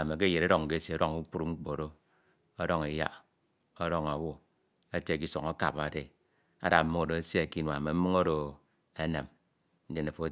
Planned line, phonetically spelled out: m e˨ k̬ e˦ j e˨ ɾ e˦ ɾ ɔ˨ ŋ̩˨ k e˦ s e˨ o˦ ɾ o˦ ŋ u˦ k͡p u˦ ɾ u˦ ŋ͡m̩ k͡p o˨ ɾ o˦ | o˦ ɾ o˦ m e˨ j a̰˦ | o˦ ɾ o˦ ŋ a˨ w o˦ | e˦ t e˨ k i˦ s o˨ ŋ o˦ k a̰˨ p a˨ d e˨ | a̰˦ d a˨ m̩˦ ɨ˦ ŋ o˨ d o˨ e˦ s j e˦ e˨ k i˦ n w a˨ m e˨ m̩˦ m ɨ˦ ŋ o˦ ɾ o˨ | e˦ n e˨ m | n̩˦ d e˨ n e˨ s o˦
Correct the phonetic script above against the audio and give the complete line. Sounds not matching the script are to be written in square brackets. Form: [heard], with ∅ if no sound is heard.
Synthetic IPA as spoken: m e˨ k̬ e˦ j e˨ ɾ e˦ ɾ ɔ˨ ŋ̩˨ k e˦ s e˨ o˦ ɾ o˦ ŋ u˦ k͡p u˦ ɾ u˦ ŋ͡m̩ k͡p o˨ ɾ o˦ | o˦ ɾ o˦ [ŋ] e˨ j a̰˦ | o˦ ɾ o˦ ŋ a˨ w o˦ | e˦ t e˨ k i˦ s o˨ ŋ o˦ k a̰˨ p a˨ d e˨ | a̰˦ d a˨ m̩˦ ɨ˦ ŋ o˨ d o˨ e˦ s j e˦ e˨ k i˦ n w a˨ m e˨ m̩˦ m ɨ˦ ŋ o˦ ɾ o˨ | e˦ n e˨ m | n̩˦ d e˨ n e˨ [f] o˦